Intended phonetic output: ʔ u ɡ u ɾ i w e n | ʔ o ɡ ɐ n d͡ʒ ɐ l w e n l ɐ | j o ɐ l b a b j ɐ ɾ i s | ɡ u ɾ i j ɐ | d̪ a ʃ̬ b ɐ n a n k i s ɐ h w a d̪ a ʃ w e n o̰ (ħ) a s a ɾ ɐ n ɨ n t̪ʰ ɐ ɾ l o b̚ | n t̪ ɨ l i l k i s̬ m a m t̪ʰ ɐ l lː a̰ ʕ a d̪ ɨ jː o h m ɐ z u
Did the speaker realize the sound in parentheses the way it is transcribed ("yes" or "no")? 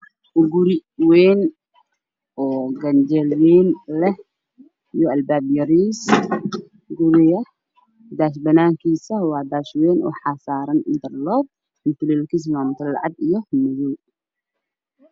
yes